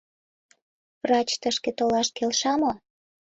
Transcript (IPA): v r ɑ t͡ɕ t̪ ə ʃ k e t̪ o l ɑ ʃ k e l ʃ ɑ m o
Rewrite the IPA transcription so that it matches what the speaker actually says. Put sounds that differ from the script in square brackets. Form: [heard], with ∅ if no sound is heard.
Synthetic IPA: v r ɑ t͡ɕ t̪ ə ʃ k e t̪ o l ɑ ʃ k e l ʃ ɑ m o